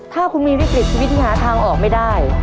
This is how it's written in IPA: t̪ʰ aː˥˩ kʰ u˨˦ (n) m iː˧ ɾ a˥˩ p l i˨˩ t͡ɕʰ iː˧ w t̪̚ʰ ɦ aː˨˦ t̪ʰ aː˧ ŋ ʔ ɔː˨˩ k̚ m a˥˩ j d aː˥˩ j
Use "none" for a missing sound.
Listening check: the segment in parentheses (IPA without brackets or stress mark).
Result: n